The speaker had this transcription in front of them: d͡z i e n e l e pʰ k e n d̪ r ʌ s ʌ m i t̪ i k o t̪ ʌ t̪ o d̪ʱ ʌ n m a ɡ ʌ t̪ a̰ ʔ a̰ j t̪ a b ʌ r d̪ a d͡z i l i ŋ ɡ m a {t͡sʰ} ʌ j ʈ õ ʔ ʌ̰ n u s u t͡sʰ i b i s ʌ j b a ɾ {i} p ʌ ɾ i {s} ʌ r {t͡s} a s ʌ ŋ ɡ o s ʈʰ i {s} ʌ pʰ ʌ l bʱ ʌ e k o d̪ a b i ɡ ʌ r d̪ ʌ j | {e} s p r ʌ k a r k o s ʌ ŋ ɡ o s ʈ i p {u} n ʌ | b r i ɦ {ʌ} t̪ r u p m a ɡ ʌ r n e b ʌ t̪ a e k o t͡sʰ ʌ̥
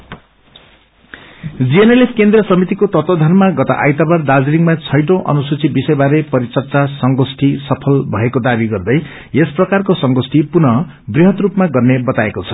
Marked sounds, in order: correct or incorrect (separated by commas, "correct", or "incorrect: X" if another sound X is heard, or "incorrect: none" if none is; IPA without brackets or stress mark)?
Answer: correct, incorrect: e, incorrect: t͡s, correct, correct, correct, correct, correct